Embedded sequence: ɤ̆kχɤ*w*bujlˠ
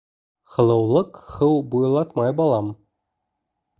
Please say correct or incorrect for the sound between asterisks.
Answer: correct